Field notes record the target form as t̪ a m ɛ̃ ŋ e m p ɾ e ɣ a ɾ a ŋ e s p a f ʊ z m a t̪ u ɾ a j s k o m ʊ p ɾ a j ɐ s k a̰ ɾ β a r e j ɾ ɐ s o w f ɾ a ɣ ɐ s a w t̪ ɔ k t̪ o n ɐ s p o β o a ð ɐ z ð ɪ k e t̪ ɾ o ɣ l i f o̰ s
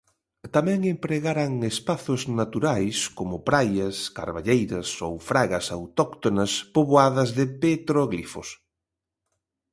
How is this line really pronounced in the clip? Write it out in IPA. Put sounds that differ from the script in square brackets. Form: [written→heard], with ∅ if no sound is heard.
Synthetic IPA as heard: t̪ a m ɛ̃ ŋ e m p ɾ e ɣ a ɾ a ŋ e s p a [f→θ] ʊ z [m→n] a t̪ u ɾ a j s k o m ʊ p ɾ a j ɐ s k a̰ ɾ β a [r→ʎ] e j ɾ ɐ s o w f ɾ a ɣ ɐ s a w t̪ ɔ k t̪ o n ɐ s p o β o a ð ɐ z ð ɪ [k→p] e t̪ ɾ o ɣ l i f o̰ s